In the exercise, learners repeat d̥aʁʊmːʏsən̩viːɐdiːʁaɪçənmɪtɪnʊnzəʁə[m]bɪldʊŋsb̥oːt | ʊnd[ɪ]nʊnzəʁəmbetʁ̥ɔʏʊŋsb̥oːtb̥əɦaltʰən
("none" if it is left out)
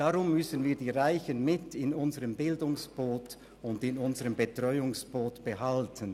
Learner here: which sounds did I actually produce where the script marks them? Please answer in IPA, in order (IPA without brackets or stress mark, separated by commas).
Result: m, ɪ